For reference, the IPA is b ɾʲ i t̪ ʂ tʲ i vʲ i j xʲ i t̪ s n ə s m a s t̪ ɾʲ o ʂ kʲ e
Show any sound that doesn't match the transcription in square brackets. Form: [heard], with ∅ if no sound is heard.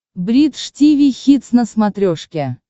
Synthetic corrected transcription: b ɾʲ i t̪ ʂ tʲ i vʲ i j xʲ i t̪ s n ə s m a [∅] t̪ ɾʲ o ʂ kʲ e